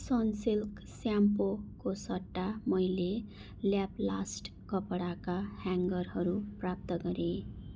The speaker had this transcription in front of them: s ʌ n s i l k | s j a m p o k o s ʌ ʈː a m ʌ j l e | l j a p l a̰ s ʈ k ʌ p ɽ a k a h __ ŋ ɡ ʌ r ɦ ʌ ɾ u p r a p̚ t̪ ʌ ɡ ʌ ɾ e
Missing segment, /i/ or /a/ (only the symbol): a